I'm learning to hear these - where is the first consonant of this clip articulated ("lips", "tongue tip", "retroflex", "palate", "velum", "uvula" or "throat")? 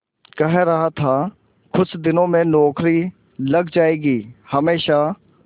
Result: velum